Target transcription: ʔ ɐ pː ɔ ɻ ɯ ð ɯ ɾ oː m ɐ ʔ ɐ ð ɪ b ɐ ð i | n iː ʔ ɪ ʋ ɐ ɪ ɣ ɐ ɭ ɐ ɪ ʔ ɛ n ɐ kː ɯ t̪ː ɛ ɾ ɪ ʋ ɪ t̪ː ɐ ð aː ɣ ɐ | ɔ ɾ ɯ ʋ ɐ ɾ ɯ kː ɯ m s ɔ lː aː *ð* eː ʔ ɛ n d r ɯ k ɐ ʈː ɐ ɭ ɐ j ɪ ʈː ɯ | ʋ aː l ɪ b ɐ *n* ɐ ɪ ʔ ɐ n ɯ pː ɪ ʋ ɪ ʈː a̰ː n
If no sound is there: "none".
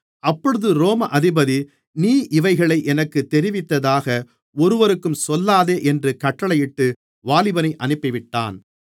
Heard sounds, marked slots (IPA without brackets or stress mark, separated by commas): ð, n